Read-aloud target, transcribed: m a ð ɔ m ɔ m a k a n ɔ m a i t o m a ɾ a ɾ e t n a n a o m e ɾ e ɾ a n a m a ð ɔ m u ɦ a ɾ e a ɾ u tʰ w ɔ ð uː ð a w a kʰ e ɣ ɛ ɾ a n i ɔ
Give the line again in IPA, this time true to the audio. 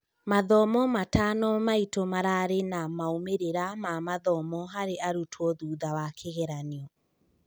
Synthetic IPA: m a ð ɔ m ɔ m a t a n ɔ m a i t o m a ɾ a ɾ e n a m a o m e ɾ e ɾ a m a m a ð ɔ m ɔ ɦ a ɾ e a ɾ u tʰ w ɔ ð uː ð a w a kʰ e ɣ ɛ ɾ a n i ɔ